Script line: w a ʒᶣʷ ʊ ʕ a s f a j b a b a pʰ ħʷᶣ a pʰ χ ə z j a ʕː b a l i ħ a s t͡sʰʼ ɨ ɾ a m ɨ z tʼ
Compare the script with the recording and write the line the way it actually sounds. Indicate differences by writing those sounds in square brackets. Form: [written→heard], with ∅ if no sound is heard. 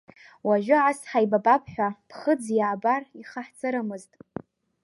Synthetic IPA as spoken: w a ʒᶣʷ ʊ ʕ a s [f→ħ] a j b a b a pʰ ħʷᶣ a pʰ χ ə [z→d͡z] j a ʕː b a [l→r] i [ħ→χ] a [s→ħ] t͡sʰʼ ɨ ɾ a m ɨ z tʼ